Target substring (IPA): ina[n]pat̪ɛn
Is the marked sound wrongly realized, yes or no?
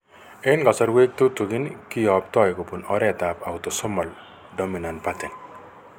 no